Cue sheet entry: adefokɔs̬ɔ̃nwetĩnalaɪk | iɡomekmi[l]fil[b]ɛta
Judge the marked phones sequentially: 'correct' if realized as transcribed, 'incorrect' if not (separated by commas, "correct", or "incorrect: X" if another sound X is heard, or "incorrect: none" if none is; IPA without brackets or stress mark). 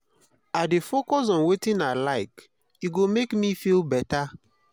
incorrect: none, correct